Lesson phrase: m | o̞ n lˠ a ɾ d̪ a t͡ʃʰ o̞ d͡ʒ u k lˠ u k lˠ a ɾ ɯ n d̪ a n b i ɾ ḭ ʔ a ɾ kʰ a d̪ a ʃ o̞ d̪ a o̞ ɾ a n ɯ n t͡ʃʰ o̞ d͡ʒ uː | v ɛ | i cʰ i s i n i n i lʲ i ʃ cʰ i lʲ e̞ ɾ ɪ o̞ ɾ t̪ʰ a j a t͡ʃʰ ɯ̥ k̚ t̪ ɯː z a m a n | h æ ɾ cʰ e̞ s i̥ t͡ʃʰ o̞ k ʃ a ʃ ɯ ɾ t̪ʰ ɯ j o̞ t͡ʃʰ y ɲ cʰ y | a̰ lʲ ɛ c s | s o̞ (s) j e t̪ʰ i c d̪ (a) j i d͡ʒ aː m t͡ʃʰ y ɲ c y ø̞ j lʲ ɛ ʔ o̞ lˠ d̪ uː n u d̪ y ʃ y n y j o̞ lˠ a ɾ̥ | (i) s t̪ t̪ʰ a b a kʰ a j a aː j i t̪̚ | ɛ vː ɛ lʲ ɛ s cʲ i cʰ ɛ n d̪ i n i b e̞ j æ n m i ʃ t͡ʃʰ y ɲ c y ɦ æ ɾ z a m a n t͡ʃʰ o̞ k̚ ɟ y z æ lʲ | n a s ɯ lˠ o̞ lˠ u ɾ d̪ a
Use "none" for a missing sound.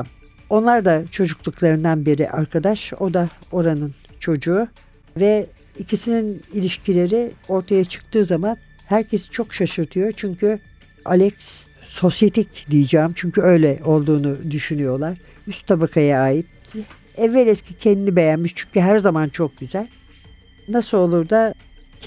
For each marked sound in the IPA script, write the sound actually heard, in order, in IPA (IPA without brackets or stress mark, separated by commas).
s, i, y